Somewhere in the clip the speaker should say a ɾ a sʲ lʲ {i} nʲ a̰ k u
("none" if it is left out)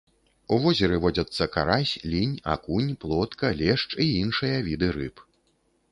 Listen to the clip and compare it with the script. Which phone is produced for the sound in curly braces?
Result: i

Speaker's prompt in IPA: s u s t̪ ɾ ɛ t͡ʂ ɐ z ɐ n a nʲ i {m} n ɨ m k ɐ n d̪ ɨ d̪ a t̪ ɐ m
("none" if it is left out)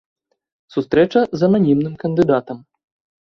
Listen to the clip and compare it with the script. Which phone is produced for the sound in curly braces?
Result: m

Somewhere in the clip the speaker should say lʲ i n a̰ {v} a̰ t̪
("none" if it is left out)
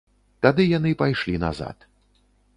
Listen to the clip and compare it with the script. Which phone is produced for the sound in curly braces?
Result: z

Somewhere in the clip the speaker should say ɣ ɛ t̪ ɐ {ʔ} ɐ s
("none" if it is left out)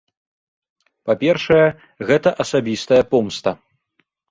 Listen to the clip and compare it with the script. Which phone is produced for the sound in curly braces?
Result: ʔ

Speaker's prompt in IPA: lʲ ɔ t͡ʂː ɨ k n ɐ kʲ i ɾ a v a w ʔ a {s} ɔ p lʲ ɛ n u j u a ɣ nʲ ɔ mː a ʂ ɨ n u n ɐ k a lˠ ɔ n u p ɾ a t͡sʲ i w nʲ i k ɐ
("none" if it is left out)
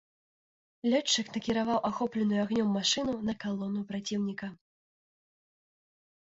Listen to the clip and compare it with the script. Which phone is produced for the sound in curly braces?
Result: x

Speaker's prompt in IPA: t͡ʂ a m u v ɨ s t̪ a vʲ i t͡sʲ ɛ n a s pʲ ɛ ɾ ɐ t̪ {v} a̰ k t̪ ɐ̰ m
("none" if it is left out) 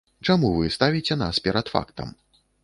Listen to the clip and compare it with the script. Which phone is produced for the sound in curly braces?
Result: f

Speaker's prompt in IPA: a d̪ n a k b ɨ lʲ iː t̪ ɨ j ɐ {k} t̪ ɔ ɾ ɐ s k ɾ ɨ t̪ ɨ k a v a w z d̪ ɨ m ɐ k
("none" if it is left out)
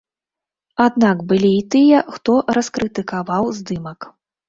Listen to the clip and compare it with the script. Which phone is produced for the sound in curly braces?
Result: x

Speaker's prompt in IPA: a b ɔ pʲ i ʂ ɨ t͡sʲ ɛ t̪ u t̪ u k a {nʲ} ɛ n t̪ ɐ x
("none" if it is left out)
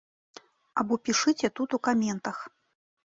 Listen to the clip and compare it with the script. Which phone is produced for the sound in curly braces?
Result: mʲ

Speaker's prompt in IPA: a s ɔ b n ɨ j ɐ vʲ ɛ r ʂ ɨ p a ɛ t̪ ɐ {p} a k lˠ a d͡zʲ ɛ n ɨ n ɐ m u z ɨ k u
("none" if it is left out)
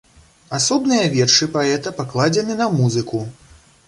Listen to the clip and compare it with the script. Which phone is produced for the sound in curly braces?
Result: p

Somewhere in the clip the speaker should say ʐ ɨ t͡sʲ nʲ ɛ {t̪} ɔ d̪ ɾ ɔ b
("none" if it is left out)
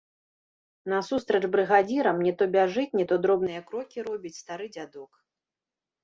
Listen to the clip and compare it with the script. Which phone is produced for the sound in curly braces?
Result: t̪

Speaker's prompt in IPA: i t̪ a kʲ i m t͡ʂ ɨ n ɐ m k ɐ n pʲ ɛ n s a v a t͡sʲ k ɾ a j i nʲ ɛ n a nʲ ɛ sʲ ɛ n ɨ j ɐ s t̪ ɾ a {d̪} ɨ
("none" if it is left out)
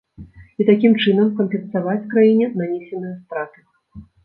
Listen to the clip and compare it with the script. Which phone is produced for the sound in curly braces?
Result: t̪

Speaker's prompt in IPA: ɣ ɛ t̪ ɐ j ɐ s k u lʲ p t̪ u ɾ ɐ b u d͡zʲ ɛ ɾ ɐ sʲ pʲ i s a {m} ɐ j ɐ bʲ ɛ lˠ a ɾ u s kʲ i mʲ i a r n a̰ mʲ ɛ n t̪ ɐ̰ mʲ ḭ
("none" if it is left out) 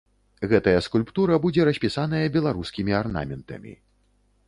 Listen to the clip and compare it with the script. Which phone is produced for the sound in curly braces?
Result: n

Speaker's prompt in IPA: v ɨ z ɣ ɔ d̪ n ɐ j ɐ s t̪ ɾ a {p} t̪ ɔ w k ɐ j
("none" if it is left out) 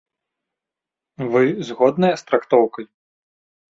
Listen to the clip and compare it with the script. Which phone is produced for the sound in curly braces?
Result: k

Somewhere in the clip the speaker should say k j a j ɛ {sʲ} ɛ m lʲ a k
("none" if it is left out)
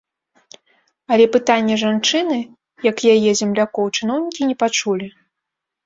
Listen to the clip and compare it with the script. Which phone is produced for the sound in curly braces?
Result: zʲ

